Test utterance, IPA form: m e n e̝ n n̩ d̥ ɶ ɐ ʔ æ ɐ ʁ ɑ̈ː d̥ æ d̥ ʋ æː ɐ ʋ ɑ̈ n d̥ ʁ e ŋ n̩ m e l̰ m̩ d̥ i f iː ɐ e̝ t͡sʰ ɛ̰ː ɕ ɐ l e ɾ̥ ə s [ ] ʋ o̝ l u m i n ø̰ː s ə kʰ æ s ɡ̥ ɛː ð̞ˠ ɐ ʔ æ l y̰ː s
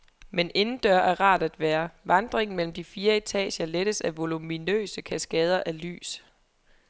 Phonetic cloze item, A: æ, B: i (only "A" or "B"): A